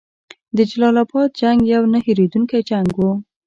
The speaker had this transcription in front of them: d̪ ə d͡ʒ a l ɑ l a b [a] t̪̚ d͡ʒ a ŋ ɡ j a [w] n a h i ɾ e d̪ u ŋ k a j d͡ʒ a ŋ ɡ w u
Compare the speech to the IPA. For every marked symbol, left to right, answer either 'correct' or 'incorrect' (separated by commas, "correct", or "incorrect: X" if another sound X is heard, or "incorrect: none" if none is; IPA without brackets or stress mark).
incorrect: ɑ, correct